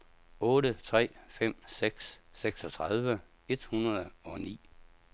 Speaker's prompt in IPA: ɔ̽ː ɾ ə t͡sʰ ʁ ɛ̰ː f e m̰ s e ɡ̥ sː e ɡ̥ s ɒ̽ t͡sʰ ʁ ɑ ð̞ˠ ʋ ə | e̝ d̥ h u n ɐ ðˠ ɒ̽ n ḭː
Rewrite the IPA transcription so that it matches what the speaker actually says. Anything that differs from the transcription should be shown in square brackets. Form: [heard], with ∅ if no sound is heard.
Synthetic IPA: ɔ̽ː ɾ ə t͡sʰ ʁ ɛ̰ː f e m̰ s e ɡ̥ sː e ɡ̥ s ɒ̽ t͡sʰ ʁ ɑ ð̞ˠ ʋ ə | e̝ d̥ h u n ɐ ðˠ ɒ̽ n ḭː